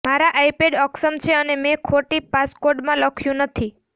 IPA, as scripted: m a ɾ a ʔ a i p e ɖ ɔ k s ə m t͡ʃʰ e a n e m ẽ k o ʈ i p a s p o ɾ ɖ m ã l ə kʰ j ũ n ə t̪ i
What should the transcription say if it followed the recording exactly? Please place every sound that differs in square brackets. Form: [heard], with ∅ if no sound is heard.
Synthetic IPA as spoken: m a ɾ a ʔ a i p e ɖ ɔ k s ə m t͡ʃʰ e [ə] n e m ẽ [kʰ] o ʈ i p a s [k] o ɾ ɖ m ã l ə kʰ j ũ n ə [t̪ʰ] i